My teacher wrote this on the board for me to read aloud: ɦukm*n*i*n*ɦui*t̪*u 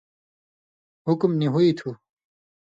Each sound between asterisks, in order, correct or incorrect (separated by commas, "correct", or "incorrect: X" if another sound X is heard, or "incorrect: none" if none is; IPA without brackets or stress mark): correct, incorrect: none, incorrect: t̪ʰ